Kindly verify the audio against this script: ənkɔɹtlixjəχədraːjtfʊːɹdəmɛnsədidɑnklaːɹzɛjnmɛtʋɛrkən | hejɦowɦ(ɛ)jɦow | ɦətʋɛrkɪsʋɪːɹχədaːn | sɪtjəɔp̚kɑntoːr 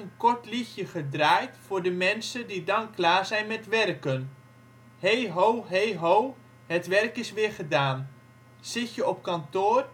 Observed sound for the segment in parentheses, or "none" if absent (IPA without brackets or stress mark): e